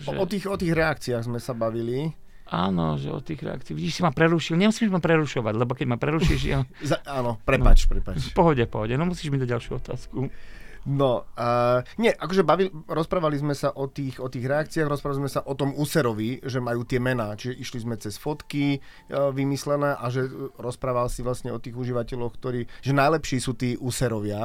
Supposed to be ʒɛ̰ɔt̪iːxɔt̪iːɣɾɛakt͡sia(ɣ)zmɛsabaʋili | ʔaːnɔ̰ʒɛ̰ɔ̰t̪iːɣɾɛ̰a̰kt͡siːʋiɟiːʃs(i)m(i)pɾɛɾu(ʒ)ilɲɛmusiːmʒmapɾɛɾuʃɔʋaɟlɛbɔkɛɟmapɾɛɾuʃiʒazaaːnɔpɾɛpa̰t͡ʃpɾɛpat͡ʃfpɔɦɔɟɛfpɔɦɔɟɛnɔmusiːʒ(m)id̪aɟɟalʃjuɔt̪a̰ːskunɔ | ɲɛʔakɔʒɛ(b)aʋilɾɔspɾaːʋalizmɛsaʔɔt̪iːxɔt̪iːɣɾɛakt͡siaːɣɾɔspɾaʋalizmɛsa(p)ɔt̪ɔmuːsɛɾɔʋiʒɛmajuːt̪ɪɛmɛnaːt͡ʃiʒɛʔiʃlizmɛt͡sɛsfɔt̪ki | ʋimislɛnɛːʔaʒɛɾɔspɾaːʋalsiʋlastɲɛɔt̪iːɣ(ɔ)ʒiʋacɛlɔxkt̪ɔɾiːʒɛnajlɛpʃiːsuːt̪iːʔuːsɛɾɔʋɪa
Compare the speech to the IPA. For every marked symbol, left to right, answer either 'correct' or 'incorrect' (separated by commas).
correct, correct, incorrect, incorrect, correct, correct, incorrect, incorrect